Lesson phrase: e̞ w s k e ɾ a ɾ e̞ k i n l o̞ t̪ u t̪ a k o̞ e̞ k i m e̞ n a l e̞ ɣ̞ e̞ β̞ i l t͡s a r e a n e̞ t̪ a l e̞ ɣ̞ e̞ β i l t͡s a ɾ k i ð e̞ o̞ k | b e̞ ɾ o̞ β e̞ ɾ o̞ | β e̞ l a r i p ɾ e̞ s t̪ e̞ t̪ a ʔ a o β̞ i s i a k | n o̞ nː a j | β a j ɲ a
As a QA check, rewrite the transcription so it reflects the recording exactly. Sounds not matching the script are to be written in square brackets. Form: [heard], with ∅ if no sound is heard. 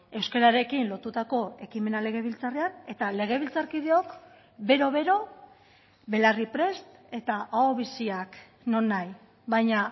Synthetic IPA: e̞ w s k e ɾ a ɾ e̞ k i n l o̞ t̪ u t̪ a k o̞ e̞ k i m e̞ n a l e̞ ɣ̞ e̞ β̞ i l t͡s a r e a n e̞ t̪ a l e̞ ɣ̞ e̞ β i l t͡s a ɾ k i ð e̞ o̞ k | b e̞ ɾ o̞ β e̞ ɾ o̞ | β e̞ l a r i p ɾ e̞ s t̪ e̞ t̪ a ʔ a o β̞ i s i a k | n o̞ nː a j | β a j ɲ a